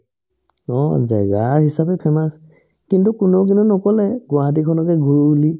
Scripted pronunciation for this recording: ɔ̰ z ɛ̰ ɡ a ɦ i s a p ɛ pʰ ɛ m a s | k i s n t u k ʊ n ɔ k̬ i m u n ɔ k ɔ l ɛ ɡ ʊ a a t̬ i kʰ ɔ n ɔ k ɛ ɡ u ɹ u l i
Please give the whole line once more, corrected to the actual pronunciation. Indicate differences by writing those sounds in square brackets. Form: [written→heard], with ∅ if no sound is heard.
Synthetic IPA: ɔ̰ z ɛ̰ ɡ a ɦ i s a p ɛ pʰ ɛ m a s | k i [s→∅] n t u k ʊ n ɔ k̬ i [m→n] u n ɔ k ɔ l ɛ ɡ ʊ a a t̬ i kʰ ɔ n ɔ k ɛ ɡ u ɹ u l i